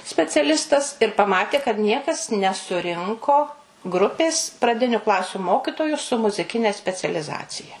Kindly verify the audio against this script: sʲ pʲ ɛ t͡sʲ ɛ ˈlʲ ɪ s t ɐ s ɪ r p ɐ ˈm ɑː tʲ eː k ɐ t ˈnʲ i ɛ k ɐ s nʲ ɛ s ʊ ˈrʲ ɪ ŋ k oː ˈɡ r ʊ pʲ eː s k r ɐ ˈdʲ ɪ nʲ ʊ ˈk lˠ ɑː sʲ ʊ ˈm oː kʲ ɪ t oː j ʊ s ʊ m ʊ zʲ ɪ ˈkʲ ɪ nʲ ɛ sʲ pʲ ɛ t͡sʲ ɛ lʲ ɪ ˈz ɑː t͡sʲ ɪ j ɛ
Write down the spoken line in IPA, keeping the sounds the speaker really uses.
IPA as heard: sʲ pʲ ɛ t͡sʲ ɛ ˈlʲ ɪ s t ɐ s ɪ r p ɐ ˈm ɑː tʲ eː k ɐ t ˈnʲ i ɛ k ɐ s nʲ ɛ s ʊ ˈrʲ ɪ ŋ k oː ˈɡ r ʊ pʲ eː s p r ɐ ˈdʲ ɪ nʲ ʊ ˈk lˠ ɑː sʲ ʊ ˈm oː kʲ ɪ t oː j ʊ s ʊ m ʊ zʲ ɪ ˈkʲ ɪ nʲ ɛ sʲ pʲ ɛ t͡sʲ ɛ lʲ ɪ ˈz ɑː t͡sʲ ɪ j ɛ